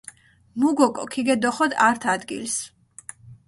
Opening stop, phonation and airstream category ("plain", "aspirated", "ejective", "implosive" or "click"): plain